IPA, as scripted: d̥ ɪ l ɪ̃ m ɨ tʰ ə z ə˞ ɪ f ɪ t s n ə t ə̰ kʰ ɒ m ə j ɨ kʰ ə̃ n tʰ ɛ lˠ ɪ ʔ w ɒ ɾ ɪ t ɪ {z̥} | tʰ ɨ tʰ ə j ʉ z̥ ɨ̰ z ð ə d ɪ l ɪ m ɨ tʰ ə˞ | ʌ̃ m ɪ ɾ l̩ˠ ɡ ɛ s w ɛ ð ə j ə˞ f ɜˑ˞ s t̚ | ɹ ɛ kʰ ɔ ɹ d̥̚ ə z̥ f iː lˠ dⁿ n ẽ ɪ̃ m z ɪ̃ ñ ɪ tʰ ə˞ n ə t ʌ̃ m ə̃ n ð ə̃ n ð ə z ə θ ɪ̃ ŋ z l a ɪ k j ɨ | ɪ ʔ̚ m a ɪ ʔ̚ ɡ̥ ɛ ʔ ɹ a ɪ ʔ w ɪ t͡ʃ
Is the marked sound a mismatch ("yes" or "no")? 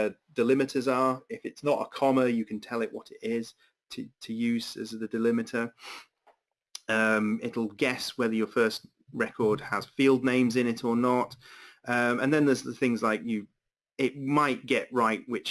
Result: no